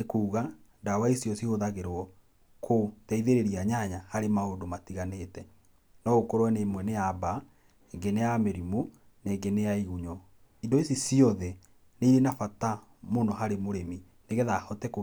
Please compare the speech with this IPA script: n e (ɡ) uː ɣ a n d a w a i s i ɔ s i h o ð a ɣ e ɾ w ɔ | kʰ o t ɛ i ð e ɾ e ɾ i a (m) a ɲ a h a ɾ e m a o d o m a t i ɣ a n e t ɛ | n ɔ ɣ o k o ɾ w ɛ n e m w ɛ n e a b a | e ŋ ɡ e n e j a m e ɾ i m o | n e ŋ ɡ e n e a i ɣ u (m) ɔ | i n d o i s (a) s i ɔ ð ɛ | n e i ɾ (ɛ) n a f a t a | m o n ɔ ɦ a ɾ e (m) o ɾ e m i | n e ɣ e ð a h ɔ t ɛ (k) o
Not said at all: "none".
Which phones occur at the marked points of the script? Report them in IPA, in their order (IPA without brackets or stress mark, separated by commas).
k, ɲ, ɲ, i, e, m, k